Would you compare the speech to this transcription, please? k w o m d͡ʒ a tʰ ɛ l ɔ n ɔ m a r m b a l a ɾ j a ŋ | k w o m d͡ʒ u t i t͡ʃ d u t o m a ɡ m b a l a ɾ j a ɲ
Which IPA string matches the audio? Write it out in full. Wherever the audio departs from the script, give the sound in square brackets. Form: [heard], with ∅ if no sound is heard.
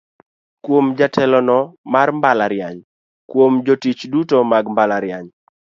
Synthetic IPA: k w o m d͡ʒ a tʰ ɛ l ɔ n ɔ m a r m b a l a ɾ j a [ɲ] | k w o m d͡ʒ [o] t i t͡ʃ d u t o m a ɡ m b a l a ɾ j a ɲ